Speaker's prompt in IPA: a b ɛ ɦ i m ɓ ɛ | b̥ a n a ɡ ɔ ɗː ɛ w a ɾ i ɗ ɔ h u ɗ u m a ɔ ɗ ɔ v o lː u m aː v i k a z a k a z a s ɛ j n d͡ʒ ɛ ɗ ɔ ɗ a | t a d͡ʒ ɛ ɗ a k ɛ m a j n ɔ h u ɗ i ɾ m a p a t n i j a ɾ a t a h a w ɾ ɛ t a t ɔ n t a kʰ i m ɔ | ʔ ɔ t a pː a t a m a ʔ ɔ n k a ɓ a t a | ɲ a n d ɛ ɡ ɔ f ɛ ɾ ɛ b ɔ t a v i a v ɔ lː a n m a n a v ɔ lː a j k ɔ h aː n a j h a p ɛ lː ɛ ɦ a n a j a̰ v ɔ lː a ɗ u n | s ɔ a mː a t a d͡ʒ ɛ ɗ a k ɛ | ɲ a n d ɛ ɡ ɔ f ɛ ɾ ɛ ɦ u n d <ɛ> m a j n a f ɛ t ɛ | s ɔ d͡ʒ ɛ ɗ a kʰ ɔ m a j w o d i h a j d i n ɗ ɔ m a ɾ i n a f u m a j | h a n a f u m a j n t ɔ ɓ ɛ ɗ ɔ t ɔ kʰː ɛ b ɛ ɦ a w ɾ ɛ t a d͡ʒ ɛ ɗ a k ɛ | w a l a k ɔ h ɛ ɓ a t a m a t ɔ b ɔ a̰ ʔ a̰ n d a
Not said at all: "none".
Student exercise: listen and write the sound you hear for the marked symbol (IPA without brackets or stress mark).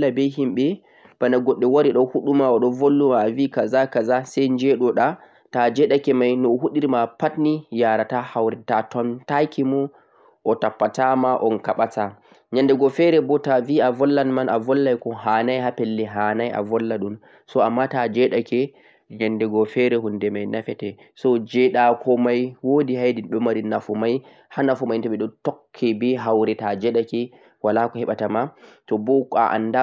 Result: ɛ